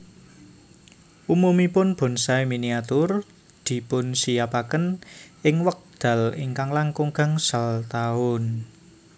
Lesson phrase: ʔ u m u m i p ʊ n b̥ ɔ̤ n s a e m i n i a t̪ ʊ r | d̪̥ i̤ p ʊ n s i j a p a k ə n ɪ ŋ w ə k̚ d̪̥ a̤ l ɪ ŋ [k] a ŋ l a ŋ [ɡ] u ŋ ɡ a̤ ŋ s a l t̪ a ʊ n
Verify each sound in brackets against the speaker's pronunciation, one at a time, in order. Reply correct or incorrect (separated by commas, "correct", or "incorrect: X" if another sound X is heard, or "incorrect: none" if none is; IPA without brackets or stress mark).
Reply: correct, incorrect: k